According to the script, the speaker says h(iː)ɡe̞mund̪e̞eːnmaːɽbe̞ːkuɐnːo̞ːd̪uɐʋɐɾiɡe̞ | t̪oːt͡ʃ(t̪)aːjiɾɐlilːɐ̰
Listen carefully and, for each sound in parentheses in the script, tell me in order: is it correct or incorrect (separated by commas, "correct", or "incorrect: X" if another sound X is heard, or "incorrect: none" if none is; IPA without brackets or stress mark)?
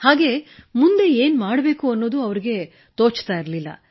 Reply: incorrect: aː, correct